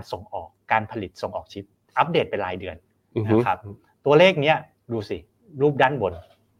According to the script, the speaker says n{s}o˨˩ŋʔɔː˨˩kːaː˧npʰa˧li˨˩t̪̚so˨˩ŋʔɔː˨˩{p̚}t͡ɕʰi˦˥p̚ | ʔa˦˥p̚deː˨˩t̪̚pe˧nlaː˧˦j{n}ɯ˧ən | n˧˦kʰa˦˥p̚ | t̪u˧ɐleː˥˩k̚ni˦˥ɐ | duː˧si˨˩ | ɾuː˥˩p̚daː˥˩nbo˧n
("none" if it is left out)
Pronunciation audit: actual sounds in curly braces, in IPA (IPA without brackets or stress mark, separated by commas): s, k̚, d